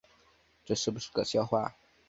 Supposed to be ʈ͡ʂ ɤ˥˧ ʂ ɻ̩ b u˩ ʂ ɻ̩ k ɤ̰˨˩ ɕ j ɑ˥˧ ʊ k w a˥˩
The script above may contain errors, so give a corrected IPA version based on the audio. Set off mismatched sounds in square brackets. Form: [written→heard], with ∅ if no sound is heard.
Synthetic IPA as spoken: ʈ͡ʂ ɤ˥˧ ʂ ɻ̩ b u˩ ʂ ɻ̩ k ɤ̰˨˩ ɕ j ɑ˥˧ ʊ [k→x] w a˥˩